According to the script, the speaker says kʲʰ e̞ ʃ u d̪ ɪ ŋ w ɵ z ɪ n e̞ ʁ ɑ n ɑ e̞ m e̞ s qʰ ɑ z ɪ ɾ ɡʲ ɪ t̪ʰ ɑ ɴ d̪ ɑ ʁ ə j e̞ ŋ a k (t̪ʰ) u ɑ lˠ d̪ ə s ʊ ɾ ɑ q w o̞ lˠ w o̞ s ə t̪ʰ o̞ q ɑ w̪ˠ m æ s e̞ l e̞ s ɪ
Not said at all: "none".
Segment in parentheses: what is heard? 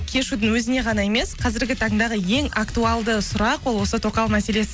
t̪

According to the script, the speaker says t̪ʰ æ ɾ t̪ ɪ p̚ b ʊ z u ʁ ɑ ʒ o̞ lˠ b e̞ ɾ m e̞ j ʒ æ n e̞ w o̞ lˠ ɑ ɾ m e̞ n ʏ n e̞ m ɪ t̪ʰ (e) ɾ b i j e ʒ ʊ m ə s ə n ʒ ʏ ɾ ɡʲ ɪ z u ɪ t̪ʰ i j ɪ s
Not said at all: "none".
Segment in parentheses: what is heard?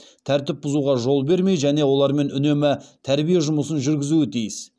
æ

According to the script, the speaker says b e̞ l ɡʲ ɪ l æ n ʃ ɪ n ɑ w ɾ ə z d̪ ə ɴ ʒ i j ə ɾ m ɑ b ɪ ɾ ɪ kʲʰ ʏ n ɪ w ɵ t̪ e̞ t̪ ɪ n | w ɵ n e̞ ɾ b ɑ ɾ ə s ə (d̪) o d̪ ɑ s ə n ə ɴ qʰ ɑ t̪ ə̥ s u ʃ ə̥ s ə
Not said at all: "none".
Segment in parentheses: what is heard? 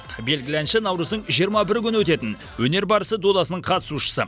d̪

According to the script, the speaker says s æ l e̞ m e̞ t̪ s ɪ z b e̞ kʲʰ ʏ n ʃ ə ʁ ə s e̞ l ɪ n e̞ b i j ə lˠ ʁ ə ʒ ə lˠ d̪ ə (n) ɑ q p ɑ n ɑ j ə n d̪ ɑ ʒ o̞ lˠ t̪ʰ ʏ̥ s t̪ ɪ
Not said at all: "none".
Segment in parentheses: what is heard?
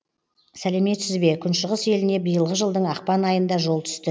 ɴ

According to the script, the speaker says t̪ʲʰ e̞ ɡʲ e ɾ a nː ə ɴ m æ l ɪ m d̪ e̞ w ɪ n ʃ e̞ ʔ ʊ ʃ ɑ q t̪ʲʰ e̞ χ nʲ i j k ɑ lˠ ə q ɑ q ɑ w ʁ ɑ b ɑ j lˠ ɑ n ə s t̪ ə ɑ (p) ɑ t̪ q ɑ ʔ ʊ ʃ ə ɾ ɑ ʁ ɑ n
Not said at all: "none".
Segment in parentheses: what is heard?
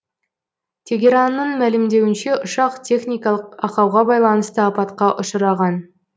p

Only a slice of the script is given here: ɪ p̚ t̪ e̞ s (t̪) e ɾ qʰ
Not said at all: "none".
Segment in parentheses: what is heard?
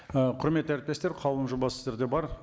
t̪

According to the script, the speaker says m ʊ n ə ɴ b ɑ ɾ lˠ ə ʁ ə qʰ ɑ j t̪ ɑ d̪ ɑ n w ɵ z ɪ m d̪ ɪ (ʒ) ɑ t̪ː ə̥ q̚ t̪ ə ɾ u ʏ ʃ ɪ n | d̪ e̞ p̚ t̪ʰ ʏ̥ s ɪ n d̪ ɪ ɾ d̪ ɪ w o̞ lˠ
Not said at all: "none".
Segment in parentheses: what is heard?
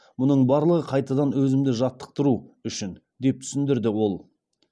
ʒ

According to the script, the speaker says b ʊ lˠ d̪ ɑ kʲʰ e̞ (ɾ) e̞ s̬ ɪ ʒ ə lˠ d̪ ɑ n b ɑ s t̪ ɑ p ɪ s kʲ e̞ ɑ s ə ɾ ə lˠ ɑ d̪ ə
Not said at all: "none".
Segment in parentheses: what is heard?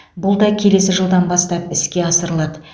l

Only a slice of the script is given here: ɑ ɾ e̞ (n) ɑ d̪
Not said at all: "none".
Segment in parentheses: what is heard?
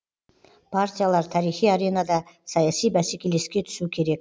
n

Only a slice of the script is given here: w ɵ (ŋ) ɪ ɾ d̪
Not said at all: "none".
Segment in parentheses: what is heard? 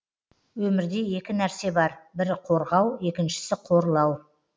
m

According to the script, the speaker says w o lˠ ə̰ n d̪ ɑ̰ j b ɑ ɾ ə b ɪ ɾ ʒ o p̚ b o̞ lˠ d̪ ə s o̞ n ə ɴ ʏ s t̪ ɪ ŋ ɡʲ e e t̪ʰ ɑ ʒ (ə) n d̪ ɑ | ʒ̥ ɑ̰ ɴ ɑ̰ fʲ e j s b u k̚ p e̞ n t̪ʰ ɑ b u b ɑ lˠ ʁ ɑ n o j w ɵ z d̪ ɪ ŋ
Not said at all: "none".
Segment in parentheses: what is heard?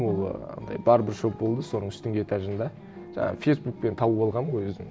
ə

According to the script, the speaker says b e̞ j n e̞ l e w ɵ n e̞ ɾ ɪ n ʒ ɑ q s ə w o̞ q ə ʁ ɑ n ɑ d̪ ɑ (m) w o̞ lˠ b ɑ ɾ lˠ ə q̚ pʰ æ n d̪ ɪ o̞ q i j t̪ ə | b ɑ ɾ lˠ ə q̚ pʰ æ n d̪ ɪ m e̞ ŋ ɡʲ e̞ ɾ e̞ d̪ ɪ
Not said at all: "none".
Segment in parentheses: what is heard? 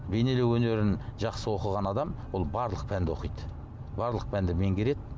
m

